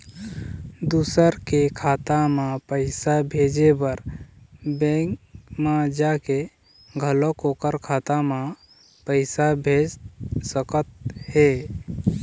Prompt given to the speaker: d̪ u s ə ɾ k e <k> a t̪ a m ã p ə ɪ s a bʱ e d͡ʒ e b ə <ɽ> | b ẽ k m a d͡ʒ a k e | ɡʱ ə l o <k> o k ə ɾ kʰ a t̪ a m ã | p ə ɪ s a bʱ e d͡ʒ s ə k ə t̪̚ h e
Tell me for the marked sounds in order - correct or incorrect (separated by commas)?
incorrect, incorrect, correct